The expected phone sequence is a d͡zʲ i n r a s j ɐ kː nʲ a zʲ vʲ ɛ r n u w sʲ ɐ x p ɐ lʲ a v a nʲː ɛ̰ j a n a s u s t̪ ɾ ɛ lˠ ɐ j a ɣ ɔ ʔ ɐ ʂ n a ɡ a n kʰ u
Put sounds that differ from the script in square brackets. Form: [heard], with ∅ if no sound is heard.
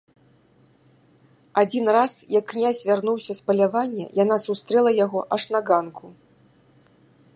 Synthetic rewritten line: a d͡zʲ i n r a s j ɐ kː nʲ a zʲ vʲ [a] r n u w sʲ ɐ [s] p ɐ lʲ a v a nʲː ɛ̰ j a n a s u s t̪ ɾ ɛ lˠ ɐ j a ɣ ɔ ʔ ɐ ʂ n a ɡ a n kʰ u